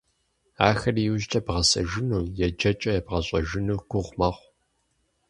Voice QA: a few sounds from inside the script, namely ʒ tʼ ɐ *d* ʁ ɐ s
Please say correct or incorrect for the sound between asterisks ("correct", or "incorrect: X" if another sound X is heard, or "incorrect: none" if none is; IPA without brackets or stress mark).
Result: incorrect: b